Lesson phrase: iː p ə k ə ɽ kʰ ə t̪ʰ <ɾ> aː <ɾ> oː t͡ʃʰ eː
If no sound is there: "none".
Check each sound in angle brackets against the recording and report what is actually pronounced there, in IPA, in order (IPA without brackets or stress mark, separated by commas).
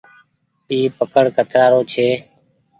ɾ, ɾ